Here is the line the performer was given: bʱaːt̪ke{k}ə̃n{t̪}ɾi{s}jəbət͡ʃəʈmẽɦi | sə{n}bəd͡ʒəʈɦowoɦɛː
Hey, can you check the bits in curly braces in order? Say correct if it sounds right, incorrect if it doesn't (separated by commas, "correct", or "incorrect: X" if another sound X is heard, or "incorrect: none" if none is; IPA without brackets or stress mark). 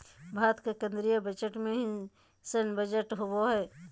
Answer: correct, incorrect: d̪, incorrect: none, correct